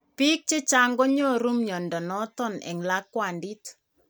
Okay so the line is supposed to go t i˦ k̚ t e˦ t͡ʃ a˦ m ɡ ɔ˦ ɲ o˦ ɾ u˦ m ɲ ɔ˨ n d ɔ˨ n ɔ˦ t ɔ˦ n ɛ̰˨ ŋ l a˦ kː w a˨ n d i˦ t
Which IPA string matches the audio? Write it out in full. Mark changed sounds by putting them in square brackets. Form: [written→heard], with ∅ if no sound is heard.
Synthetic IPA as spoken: [t→p] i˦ k̚ [t→t͡ʃ] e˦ t͡ʃ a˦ [m→ŋ] ɡ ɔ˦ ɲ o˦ ɾ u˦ m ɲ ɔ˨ n d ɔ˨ n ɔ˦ t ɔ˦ n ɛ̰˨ ŋ l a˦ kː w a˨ n d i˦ t

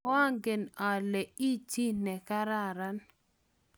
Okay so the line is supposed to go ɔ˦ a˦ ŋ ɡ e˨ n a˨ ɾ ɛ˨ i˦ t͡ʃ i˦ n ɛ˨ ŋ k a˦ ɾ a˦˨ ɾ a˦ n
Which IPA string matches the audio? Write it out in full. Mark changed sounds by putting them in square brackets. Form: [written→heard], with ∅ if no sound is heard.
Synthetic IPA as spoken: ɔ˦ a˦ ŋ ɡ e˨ n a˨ [ɾ→l] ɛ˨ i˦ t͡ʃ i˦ n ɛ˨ [ŋ→∅] k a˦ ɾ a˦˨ ɾ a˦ n

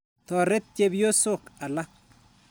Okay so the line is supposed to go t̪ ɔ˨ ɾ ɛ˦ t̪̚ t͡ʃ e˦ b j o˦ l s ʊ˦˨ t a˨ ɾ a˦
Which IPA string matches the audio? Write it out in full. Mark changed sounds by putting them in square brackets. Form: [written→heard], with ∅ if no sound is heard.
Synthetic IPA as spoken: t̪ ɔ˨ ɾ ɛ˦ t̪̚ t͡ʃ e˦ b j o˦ [l→∅] s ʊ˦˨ [t→k] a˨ [ɾ→l] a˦

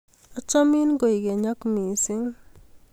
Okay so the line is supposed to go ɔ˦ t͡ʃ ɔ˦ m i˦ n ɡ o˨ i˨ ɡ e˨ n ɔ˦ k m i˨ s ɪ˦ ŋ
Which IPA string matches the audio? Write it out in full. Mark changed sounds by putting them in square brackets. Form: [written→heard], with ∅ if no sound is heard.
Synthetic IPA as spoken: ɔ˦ t͡ʃ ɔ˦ m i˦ n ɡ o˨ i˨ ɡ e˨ [n→ɲ] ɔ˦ k m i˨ s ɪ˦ ŋ

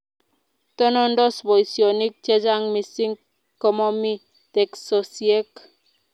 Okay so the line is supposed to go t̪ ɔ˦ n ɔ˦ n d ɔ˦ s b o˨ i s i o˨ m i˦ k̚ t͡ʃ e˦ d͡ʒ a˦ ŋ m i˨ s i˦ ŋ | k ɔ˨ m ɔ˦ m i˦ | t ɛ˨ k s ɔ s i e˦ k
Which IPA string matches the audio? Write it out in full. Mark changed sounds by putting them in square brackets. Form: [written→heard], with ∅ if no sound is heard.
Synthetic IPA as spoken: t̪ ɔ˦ n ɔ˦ n d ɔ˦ s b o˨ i s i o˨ [m→n] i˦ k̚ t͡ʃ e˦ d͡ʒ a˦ ŋ m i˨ s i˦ ŋ | k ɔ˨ m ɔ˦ m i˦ | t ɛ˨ k s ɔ s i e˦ k

